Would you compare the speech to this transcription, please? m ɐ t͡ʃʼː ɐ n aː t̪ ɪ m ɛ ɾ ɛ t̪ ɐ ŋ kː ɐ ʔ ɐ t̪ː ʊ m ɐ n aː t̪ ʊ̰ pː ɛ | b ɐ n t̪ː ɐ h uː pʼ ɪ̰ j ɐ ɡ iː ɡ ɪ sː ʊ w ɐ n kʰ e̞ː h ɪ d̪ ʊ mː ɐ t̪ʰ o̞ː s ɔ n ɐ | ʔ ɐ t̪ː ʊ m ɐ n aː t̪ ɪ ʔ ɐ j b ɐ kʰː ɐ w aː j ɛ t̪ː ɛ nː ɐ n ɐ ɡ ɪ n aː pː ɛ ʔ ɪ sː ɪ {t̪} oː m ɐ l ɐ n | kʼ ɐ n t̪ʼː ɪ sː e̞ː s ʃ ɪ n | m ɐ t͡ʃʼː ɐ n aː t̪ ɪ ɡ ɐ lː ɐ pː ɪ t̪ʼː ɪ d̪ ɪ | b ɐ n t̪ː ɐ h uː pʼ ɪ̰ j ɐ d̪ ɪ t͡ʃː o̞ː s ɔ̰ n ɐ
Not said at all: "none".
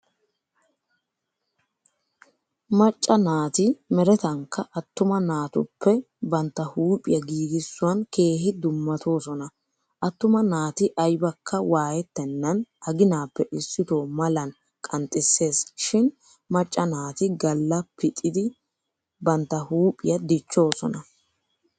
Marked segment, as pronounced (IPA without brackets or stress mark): t̪